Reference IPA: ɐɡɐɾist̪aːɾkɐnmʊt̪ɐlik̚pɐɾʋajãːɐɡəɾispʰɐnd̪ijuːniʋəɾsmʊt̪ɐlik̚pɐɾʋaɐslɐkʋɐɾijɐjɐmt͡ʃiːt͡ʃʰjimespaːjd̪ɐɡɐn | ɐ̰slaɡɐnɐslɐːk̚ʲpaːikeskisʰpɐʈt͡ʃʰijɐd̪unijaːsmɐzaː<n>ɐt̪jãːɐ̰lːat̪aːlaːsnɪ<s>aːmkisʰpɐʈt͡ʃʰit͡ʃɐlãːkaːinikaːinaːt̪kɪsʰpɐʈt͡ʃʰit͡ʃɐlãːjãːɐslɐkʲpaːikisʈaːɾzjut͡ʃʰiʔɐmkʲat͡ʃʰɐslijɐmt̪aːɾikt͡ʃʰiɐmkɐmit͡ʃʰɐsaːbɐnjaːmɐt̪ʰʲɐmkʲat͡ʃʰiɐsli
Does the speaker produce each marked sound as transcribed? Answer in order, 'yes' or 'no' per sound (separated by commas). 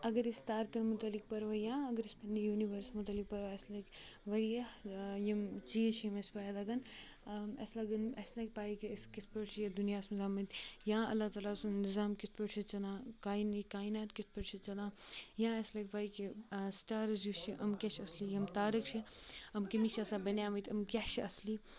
no, no